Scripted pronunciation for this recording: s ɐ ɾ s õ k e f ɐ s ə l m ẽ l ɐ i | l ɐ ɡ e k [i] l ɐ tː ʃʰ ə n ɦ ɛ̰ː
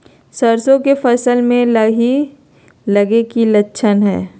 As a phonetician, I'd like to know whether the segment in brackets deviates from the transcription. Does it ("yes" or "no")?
no